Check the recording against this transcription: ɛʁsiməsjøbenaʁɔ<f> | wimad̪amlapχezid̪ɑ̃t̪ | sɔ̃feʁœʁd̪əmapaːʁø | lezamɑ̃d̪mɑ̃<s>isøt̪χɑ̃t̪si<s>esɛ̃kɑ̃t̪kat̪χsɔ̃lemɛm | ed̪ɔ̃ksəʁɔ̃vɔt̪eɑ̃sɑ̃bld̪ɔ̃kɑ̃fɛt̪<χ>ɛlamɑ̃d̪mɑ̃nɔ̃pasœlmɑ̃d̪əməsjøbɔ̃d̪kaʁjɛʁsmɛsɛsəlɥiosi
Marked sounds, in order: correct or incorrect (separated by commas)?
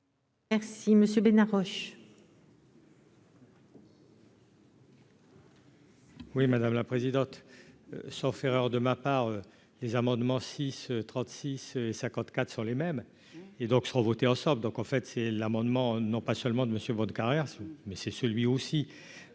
incorrect, correct, correct, incorrect